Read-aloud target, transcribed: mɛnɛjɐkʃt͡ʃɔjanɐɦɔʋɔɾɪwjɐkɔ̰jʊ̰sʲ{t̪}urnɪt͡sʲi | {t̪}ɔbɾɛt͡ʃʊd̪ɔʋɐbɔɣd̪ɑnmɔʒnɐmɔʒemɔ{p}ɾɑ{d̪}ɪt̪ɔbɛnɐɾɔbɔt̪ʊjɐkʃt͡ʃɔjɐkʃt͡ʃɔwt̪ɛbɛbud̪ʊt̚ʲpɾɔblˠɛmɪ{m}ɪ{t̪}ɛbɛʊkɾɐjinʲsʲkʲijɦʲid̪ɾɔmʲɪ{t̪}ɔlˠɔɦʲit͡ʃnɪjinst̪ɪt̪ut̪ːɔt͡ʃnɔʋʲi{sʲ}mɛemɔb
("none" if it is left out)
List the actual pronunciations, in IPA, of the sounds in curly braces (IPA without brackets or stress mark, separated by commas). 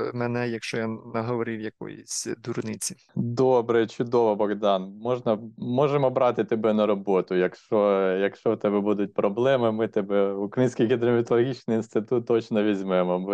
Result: d̪, d̪, b, t̪, m, t̪, t̪, zʲ